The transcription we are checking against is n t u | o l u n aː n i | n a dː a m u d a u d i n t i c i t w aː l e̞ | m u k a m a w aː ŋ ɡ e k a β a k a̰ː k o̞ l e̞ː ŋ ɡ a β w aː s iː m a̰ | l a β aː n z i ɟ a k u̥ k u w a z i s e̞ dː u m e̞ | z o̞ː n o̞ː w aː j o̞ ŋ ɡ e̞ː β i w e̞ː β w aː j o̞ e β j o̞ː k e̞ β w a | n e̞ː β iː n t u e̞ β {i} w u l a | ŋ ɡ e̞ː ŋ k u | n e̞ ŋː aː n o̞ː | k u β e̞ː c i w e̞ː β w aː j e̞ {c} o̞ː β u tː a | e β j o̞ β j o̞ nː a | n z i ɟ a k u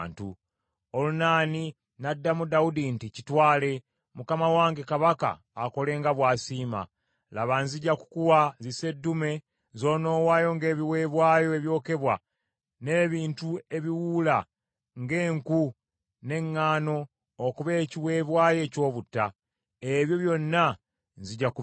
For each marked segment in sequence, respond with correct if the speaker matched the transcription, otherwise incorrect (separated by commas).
correct, correct